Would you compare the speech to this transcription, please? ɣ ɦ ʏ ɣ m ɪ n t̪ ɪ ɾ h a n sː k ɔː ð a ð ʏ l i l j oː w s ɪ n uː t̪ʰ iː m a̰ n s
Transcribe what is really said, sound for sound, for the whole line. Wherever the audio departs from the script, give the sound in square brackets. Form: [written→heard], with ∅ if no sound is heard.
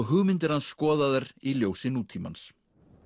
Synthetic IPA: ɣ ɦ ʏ ɣ m ɪ n t̪ ɪ ɾ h a n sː k ɔː ð a ð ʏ [l→ɾ] i l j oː w s ɪ n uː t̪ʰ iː m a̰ n s